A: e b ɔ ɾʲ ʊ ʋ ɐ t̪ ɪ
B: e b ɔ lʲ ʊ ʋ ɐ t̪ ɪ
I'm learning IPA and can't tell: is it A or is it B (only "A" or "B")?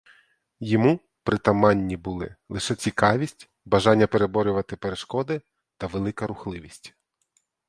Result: A